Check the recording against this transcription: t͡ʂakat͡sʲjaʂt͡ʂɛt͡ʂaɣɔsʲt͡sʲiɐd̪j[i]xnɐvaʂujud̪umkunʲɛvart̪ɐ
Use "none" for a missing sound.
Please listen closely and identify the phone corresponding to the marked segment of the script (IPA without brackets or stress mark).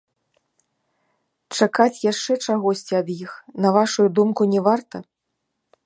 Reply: i